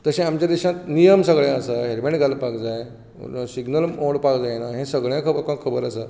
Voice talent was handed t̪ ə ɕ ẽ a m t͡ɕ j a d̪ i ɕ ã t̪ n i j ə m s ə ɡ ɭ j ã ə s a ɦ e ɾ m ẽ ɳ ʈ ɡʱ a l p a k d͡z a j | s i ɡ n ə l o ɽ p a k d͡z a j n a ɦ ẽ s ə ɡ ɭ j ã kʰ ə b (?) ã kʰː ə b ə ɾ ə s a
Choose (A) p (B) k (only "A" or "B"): B